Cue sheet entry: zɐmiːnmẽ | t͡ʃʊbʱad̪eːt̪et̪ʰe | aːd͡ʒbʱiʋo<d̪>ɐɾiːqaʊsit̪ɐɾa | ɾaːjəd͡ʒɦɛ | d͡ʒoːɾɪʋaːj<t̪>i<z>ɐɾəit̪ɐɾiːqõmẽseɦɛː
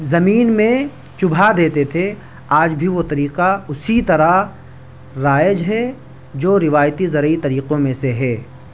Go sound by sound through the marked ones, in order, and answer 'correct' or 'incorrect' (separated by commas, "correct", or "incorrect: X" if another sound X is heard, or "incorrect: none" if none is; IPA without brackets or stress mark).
incorrect: t̪, correct, correct